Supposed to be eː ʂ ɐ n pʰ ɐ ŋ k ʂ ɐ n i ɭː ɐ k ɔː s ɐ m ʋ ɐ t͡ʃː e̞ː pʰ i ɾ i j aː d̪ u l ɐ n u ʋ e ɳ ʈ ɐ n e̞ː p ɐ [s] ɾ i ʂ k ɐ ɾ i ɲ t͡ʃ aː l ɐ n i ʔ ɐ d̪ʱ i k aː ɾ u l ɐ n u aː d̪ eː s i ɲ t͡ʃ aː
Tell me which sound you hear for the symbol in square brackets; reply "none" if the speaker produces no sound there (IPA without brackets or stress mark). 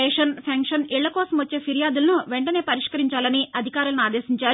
none